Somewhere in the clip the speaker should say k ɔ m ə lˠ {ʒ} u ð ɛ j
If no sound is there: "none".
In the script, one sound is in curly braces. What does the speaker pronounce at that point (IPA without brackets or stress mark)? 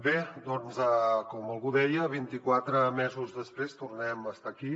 ɣ